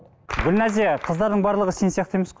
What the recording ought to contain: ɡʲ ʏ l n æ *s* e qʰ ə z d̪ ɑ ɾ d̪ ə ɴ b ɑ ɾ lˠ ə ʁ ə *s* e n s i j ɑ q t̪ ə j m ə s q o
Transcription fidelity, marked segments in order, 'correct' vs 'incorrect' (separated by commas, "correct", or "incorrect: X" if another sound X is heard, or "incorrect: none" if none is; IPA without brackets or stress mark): incorrect: z, correct